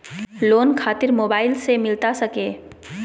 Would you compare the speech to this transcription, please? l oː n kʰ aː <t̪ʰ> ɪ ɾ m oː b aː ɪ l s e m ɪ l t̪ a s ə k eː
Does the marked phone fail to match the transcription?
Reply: yes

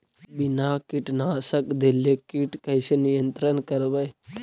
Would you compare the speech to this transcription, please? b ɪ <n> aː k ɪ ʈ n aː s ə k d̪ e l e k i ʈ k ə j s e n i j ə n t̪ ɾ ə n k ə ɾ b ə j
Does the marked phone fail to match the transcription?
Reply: no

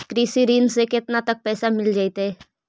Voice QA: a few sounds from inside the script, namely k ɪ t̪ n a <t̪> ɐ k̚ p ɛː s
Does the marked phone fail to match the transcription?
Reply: no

